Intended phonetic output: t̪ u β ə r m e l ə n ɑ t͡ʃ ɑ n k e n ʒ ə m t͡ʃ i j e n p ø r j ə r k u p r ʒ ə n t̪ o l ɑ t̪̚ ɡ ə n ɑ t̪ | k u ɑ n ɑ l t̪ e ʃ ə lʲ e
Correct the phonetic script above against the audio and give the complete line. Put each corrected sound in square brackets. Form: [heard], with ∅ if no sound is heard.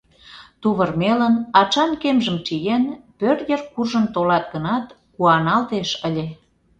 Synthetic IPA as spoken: t̪ u β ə r m e l ə n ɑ t͡ʃ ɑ n k e [m] ʒ ə m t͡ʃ i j e n p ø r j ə r k u [∅] r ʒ ə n t̪ o l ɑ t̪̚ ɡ ə n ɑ t̪ | k u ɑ n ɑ l t̪ e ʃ ə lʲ e